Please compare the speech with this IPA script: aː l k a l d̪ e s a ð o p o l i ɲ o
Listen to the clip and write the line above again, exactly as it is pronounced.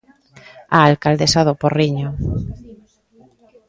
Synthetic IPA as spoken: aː l k a l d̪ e s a ð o p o r i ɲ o